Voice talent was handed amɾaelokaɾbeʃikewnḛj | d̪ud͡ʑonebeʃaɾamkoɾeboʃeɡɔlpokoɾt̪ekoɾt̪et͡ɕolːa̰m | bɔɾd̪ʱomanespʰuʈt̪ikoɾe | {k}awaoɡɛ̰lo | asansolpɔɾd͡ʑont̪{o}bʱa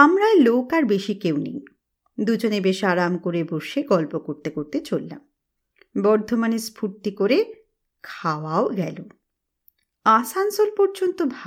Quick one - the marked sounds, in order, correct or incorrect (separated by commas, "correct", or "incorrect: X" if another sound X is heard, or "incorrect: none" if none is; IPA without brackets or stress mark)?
incorrect: kʰ, correct